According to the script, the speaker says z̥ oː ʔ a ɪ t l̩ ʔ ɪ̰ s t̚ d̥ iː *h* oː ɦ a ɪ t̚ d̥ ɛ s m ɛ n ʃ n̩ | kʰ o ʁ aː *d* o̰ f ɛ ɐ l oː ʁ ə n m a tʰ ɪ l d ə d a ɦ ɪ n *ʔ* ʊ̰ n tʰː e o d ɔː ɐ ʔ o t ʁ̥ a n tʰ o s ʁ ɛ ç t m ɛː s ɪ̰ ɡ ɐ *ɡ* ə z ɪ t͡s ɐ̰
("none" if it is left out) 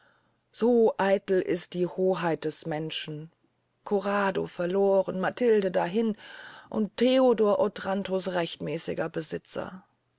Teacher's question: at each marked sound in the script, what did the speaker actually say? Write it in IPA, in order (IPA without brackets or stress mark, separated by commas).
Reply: h, d, ʔ, b